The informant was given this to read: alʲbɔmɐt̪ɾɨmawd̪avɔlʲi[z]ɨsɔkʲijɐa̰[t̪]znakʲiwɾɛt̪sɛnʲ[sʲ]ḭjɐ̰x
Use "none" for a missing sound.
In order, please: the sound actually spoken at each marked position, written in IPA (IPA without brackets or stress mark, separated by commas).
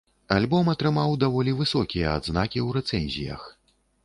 v, d̪, zʲ